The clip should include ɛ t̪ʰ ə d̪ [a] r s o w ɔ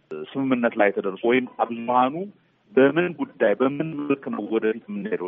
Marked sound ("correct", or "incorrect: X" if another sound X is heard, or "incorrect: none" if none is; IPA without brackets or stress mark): incorrect: ə